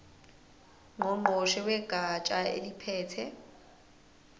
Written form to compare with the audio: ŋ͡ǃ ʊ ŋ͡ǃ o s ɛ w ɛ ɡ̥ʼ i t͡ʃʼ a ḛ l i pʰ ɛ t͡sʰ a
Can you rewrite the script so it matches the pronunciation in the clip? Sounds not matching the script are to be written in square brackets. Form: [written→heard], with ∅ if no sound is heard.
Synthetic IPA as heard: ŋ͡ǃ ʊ ŋ͡ǃ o [s→ʃ] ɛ w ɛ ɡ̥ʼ [i→a] t͡ʃʼ a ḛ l i pʰ [ɛ→ɛː] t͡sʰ [a→ɛ]

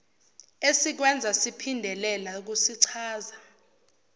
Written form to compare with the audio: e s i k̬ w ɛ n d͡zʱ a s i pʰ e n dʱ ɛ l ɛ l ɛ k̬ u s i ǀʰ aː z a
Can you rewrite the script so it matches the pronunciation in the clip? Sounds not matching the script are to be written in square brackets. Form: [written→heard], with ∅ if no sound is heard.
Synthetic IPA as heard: e s i k̬ w ɛ n d͡zʱ a s i pʰ [e→i] n dʱ ɛ l ɛ l [ɛ→a] k̬ u s i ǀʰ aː z a

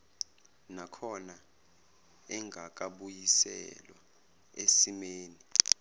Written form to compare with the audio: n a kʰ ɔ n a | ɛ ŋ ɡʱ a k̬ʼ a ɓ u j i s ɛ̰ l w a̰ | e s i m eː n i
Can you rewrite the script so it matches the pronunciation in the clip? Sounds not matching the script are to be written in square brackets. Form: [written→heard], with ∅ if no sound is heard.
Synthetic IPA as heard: n a kʰ ɔ n a | ɛ ŋ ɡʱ a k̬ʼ a ɓ u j i s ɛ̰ l w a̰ | e s i m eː n i

